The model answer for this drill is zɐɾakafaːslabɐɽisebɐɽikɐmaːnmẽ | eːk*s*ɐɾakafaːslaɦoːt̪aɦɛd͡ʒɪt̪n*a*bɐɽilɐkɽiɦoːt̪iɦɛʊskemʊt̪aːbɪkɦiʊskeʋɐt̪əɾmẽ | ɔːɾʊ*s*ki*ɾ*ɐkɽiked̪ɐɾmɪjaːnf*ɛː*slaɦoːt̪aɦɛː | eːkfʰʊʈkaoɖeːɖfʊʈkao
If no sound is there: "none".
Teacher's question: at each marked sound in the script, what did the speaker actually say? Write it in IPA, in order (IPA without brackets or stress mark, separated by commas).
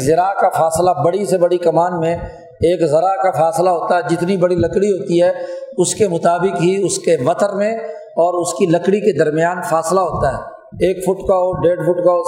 z, i, s, l, aː